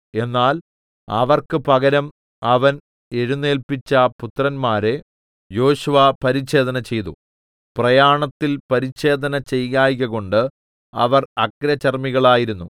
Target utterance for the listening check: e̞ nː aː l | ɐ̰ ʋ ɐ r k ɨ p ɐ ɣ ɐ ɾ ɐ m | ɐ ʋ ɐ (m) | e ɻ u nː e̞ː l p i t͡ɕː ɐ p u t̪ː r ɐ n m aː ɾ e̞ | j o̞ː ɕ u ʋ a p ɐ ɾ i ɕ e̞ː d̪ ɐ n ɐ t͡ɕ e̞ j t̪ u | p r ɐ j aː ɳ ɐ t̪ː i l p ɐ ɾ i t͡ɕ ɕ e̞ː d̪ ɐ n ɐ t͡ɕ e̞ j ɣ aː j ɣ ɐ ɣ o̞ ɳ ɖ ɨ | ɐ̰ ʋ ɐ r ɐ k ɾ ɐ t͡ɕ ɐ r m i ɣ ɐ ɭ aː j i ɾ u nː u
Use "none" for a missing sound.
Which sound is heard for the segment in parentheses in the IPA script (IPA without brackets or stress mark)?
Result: n